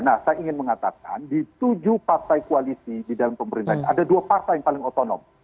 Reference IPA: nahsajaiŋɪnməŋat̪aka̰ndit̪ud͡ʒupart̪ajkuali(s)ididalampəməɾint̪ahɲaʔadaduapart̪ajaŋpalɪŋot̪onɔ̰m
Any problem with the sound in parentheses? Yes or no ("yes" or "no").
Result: no